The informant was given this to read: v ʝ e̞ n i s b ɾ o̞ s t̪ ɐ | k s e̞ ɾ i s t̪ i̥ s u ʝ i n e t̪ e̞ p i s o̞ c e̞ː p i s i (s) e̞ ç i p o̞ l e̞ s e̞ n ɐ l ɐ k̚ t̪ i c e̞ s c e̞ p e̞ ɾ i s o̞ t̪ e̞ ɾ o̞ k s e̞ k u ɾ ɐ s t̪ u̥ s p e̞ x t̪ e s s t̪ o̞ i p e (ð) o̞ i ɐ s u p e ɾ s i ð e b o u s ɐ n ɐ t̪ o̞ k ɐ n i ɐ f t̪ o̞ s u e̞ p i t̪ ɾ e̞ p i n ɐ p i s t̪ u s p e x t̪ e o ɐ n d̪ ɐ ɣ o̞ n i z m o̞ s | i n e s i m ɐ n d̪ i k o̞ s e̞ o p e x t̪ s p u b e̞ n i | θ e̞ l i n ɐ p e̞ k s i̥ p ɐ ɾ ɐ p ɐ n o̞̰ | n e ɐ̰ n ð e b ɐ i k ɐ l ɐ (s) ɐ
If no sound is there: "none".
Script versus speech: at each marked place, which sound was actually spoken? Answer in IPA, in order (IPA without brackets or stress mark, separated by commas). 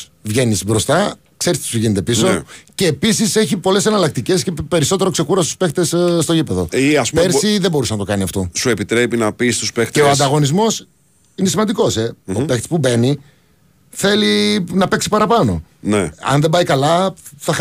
s, ð, θ